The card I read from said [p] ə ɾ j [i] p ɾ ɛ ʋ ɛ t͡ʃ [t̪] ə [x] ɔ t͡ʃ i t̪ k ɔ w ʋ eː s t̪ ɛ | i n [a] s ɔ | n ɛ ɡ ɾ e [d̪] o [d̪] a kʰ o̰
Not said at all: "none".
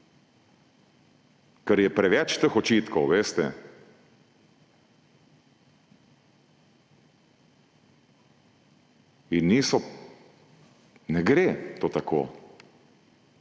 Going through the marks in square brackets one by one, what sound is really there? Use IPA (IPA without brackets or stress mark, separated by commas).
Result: k, ɛ, t̪, x, i, t̪, t̪